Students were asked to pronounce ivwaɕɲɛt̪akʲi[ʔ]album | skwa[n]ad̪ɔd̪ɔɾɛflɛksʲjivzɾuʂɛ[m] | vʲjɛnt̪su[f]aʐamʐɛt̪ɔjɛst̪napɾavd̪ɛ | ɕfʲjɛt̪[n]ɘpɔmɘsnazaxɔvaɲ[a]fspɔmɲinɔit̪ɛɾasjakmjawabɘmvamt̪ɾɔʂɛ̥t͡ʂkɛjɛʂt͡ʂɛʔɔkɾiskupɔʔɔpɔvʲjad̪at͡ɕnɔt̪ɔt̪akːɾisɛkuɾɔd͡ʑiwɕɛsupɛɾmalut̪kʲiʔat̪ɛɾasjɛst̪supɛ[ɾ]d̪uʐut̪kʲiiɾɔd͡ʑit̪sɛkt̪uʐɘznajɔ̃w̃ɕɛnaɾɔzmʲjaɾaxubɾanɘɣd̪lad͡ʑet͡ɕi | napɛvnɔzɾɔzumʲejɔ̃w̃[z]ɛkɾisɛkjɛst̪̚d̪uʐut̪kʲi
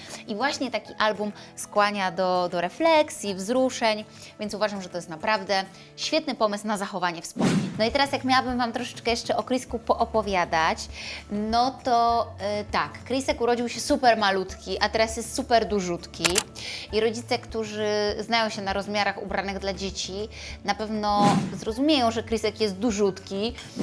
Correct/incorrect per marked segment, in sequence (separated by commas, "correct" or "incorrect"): correct, incorrect, incorrect, incorrect, correct, incorrect, correct, incorrect